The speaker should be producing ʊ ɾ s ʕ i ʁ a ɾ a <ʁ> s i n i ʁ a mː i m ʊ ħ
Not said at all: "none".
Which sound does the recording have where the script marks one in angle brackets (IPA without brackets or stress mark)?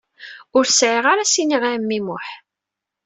none